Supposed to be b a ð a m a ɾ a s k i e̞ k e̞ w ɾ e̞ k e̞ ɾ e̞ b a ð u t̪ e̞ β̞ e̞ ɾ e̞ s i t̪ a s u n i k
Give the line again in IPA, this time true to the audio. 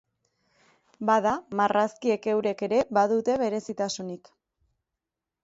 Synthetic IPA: b a ð a m a r a s k i e̞ k e̞ w ɾ e̞ k e̞ ɾ e̞ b a ð u t̪ e̞ β̞ e̞ ɾ e̞ s i t̪ a s u n i k